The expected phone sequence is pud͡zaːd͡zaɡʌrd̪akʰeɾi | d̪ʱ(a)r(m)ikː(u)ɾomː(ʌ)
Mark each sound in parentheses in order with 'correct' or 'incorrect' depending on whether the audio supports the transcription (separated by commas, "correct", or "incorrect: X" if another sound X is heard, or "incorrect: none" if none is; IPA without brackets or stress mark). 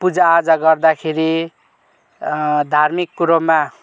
correct, correct, correct, incorrect: a